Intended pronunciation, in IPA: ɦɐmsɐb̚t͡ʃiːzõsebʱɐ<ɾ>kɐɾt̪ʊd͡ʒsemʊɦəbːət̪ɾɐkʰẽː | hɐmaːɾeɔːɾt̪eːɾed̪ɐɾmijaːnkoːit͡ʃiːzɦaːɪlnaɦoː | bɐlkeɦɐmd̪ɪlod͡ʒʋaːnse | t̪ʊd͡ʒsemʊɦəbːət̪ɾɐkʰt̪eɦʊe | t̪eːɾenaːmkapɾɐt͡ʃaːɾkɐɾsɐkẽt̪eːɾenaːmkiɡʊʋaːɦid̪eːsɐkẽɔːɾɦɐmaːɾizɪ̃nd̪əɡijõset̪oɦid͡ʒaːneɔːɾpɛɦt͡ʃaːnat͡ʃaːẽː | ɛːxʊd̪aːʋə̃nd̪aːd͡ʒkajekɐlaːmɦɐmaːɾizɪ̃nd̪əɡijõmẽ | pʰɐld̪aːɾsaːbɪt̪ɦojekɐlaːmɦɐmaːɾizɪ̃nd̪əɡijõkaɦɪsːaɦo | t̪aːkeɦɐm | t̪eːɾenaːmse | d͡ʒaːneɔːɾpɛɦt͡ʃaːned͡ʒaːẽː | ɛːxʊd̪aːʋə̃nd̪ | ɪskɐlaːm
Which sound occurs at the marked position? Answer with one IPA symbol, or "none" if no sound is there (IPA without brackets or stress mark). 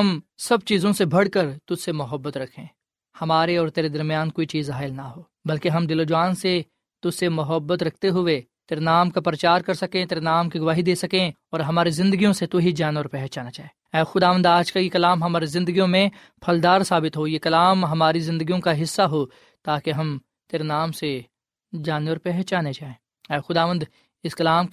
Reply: ɽ